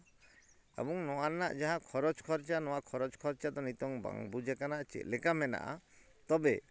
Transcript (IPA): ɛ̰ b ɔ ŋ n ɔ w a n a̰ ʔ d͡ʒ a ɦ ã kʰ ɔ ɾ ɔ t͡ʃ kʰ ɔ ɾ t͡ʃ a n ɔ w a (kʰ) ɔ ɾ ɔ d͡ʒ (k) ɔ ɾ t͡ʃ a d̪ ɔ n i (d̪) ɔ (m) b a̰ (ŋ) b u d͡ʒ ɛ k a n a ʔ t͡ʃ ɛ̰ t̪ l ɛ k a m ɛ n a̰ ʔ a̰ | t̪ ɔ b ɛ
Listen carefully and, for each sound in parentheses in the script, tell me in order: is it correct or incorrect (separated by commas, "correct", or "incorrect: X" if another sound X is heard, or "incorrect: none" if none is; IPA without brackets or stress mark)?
correct, incorrect: kʰ, incorrect: t̪, incorrect: ŋ, correct